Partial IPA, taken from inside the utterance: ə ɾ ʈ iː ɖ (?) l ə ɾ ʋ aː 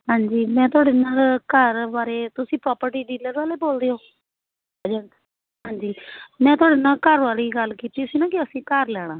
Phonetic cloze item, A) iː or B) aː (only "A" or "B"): A